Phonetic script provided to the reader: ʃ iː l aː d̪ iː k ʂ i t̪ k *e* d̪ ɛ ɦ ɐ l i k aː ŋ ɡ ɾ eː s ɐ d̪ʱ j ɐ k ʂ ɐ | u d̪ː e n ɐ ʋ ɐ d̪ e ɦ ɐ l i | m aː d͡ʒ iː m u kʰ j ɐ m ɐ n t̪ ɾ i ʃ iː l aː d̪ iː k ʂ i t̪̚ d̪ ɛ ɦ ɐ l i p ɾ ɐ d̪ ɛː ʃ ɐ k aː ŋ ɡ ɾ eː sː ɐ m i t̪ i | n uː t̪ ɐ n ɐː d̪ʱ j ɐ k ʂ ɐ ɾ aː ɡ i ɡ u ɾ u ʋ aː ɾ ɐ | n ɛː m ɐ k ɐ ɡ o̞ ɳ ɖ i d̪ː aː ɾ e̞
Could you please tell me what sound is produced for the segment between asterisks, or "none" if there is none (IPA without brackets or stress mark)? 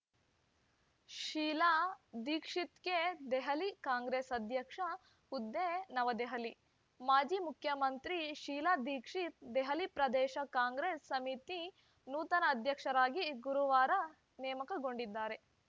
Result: e